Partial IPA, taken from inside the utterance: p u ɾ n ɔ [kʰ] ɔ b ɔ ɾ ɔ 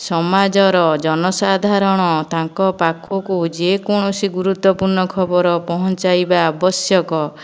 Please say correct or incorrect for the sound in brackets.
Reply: correct